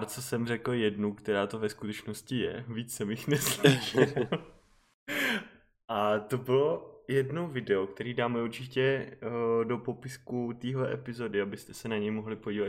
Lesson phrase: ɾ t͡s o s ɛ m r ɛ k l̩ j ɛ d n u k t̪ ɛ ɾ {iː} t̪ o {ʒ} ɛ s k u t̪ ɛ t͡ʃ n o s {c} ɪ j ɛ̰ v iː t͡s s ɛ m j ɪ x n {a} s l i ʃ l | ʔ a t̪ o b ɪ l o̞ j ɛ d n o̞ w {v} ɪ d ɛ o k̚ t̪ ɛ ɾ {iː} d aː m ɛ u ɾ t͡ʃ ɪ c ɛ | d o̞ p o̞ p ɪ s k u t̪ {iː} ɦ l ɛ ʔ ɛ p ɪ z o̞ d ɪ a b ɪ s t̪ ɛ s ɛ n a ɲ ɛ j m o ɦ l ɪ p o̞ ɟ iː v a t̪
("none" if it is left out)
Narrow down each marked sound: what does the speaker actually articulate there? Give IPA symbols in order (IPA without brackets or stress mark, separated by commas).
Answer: aː, v, c, ɛ, v, iː, iː